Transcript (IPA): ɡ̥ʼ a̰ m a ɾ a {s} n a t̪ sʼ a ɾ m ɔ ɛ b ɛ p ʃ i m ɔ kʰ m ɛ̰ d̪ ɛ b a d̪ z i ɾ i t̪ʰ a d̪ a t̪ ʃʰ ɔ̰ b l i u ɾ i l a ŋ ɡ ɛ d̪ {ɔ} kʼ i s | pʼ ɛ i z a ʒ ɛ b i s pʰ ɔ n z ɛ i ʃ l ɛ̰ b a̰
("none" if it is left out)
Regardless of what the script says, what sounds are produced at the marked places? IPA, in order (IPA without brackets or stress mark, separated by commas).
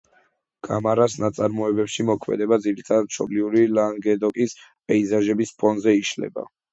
s, ɔ